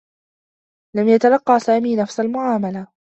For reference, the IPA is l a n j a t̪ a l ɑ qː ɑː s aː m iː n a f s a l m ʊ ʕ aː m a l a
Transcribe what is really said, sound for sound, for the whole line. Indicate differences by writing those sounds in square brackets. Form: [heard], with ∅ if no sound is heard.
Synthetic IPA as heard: l a [m] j a t̪ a l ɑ qː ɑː s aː m iː n a f s a l m ʊ ʕ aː m a l a

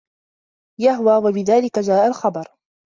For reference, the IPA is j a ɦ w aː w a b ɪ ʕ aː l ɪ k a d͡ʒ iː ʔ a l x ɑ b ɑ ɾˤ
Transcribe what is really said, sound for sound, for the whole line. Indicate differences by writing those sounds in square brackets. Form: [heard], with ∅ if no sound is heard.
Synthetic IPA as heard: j a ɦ w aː w a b ɪ [ð] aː l ɪ k a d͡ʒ [aː] ʔ a l x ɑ b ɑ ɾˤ

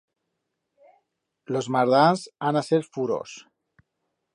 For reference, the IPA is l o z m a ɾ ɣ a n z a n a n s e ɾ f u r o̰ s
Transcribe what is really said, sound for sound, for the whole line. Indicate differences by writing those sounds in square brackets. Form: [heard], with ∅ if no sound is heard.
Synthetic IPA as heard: l o z m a ɾ [ð] a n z a n a [∅] s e ɾ f u [ɾ] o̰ s

